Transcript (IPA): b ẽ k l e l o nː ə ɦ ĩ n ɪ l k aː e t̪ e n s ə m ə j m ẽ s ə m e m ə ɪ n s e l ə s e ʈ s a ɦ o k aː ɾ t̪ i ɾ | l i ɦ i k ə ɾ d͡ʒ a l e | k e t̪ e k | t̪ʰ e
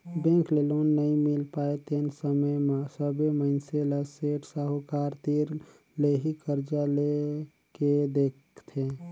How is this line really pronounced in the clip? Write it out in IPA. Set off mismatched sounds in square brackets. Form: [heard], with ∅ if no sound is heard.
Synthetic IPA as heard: b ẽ k l e l o nː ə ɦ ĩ [m] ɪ l [p] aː e t̪ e n s ə m ə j m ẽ s ə [b] e m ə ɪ n s e l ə s e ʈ s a ɦ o k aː ɾ t̪ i ɾ | l [e] ɦ i k ə ɾ d͡ʒ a l e | k e [d̪] e k | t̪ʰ e